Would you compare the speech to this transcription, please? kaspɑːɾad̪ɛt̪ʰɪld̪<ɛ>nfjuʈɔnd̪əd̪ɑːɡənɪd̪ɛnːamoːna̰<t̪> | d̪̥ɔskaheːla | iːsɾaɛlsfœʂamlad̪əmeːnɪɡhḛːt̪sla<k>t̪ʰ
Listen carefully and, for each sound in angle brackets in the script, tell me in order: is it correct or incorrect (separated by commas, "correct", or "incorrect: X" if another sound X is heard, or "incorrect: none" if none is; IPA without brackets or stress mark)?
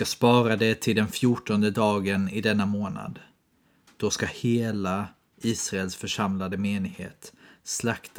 correct, incorrect: d̪, correct